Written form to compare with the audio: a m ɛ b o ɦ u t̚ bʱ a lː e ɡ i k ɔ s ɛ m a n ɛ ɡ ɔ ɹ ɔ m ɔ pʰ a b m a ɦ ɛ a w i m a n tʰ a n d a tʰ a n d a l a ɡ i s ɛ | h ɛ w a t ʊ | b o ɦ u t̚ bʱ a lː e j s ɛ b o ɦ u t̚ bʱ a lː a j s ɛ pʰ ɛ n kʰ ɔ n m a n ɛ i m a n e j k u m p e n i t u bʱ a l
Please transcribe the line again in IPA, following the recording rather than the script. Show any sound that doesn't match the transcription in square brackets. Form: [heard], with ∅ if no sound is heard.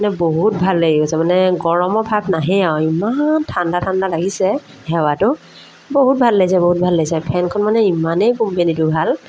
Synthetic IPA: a [n] ɛ b o ɦ u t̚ bʱ a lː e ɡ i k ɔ s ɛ m a n ɛ ɡ ɔ ɹ ɔ m ɔ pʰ a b [n] a ɦ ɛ a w i m a n tʰ a n d a tʰ a n d a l a ɡ i s ɛ | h ɛ w a t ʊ | b o ɦ u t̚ bʱ a lː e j s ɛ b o ɦ u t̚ bʱ a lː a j s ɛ pʰ ɛ n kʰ ɔ n m a n ɛ i m a n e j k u m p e n i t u bʱ a l